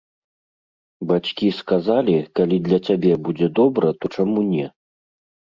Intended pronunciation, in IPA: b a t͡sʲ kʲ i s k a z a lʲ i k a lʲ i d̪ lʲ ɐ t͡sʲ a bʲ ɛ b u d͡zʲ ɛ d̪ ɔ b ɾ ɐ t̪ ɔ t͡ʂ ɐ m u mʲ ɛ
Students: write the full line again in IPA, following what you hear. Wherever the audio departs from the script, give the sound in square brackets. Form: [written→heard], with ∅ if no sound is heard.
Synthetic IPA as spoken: b a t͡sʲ kʲ i s k a z a lʲ i k a lʲ i d̪ lʲ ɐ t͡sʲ a bʲ ɛ b u d͡zʲ ɛ d̪ ɔ b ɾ ɐ t̪ ɔ t͡ʂ [ɐ→a] m u [mʲ→nʲ] ɛ